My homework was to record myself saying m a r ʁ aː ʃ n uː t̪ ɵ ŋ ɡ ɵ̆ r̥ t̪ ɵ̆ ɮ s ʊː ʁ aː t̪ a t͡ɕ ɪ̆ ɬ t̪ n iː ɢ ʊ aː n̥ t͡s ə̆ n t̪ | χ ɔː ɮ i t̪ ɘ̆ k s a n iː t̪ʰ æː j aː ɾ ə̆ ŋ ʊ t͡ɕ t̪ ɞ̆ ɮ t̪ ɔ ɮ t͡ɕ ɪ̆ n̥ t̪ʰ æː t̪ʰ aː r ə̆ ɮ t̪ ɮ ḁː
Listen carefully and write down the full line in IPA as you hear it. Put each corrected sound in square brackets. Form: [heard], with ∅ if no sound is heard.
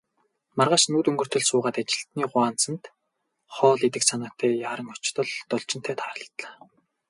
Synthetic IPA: m a r ʁ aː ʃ n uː t̪ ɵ ŋ ɡ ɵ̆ r̥ t̪ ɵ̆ ɮ s ʊː ʁ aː t̪ a t͡ɕ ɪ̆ ɬ t̪ n iː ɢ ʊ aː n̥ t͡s ə̆ n t̪ | χ ɔː ɮ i t̪ ɘ̆ k s a n [aː] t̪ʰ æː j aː ɾ ə̆ ŋ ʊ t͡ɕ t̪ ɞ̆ ɮ t̪ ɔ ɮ t͡ɕ ɪ̆ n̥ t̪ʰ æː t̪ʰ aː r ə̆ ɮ t̪ ɮ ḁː